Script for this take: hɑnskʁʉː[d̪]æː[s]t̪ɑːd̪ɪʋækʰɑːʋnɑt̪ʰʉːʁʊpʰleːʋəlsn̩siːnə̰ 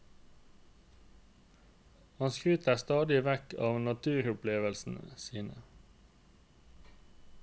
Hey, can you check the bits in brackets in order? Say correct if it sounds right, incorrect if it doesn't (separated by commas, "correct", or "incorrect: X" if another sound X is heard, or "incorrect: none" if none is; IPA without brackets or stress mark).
incorrect: t̪, correct